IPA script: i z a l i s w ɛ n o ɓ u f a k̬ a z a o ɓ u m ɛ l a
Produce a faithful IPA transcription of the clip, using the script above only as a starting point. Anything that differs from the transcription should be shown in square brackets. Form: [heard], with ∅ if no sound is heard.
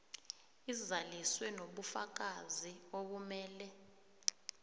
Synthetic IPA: i z a l i s w ɛ n o ɓ u f a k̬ a z [i] o ɓ u m [ɛː] l [ɛ]